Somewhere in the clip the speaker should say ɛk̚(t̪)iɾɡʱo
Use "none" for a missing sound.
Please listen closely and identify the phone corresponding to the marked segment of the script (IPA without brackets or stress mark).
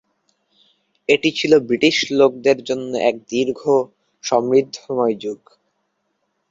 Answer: d̪